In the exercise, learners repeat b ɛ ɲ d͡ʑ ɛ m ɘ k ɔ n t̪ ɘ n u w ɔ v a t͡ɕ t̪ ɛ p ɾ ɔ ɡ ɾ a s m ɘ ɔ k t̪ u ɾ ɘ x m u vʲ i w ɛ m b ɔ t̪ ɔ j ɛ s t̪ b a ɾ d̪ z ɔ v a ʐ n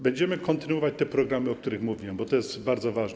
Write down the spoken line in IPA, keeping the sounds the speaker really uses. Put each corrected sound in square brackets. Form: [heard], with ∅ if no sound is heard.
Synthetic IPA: b ɛ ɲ d͡ʑ ɛ m ɘ k ɔ n t̪ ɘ n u w ɔ v a t͡ɕ t̪ ɛ p ɾ ɔ ɡ ɾ a [∅] m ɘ ɔ k t̪ u ɾ ɘ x m u vʲ i w ɛ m b ɔ t̪ ɔ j ɛ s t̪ b a ɾ d̪ z ɔ v a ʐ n